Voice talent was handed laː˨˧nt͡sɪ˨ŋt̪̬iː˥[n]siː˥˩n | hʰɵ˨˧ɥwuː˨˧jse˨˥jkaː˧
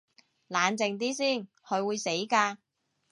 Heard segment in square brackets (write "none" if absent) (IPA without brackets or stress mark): none